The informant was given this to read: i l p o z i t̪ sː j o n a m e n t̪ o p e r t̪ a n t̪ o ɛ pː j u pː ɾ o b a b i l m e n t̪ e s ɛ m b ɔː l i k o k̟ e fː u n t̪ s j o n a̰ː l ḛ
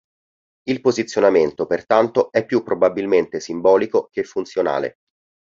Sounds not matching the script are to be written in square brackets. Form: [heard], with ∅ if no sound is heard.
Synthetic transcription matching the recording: i l p o z i t̪ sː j o n a m e n t̪ o p e r t̪ a n t̪ o ɛ pː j u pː ɾ o b a b i l m e n t̪ e s [i] m b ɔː l i k o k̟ e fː u n t̪ s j o n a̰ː l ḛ